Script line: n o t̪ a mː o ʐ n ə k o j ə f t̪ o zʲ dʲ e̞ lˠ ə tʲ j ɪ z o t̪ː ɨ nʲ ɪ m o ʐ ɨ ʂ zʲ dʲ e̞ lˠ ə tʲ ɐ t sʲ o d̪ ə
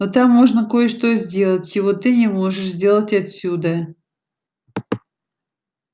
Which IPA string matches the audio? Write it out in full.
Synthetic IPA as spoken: n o t̪ a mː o ʐ n ə k o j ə ʂ t̪ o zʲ dʲ e̞ lˠ ə tʲ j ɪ v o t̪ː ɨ nʲ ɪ m o ʐ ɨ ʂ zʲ dʲ e̞ lˠ ə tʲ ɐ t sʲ u d̪ ə